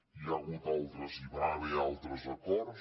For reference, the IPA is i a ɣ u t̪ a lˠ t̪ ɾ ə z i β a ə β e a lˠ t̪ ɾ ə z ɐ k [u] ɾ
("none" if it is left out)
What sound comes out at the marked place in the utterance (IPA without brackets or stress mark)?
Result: ɔ